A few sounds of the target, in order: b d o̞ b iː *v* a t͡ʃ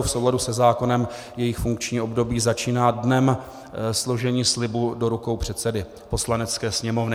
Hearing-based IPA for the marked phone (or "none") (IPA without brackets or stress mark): z